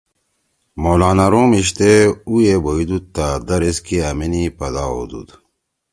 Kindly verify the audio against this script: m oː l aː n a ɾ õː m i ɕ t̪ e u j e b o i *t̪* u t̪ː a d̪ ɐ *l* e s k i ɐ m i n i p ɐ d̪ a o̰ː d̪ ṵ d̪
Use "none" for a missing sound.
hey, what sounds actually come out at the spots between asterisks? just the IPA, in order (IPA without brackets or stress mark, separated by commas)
d̪, ɾ